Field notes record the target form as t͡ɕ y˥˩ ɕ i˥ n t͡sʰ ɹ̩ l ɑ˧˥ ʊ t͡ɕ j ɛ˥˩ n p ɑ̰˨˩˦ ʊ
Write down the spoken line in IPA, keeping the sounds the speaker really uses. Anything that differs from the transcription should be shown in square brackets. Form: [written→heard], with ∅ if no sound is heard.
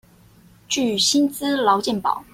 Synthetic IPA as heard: t͡ɕ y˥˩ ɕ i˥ n [t͡sʰ→t͡s] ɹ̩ l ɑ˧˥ ʊ t͡ɕ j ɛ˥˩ n p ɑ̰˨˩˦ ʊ